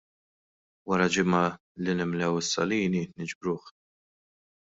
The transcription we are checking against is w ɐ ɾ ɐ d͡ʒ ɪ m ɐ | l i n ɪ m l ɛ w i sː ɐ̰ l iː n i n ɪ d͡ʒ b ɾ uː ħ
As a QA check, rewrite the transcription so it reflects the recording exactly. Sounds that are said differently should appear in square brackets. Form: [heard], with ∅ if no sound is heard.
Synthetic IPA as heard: w ɐ ɾ ɐ d͡ʒ ɪ m ɐ | l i n ɪ m l ɛ w [ɪ] sː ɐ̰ l iː n i n ɪ d͡ʒ b ɾ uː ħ